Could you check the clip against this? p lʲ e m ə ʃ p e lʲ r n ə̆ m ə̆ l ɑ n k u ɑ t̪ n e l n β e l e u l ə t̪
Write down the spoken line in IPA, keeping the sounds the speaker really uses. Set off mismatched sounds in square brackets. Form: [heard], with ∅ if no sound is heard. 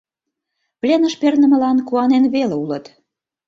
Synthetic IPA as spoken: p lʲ e [n] ə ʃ p e [∅] r n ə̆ m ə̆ l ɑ n k u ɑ [∅] n e [∅] n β e l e u l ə t̪